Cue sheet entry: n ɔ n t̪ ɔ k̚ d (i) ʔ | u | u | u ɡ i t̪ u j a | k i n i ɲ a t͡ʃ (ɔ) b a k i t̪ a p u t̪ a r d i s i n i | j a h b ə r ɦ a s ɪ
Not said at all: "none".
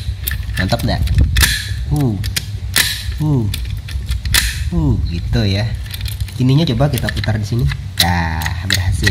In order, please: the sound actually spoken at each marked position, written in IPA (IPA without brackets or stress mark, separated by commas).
a, o